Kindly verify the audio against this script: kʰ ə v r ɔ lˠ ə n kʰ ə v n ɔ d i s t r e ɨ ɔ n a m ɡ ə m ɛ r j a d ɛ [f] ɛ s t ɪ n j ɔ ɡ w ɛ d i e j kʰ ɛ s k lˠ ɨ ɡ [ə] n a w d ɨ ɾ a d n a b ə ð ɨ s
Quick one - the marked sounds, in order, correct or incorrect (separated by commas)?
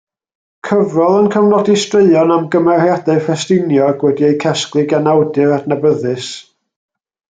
correct, incorrect